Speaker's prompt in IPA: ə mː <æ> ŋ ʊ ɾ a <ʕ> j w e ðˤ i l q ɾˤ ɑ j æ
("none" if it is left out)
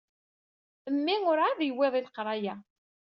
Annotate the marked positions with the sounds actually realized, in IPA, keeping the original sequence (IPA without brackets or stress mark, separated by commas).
i, ð